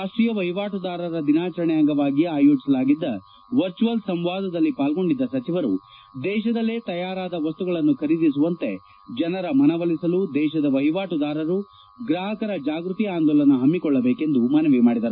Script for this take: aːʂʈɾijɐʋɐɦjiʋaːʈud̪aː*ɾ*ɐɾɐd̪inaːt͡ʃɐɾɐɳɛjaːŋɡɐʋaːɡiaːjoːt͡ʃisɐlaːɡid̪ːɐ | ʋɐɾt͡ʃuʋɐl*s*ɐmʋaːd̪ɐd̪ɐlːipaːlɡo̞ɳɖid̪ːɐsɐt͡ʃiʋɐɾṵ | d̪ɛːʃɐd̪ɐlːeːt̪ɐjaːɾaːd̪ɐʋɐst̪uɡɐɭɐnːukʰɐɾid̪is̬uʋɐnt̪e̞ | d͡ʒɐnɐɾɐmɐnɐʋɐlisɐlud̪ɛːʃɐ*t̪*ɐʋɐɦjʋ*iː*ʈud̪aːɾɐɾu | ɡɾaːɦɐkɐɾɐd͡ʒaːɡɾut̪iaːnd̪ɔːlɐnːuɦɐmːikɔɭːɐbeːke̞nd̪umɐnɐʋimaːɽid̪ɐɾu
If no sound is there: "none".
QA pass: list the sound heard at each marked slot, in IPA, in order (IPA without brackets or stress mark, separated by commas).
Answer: ɾ, s, d̪, aː